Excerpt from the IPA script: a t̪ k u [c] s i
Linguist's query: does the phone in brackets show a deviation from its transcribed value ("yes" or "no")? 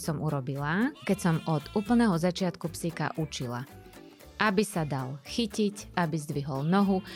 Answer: yes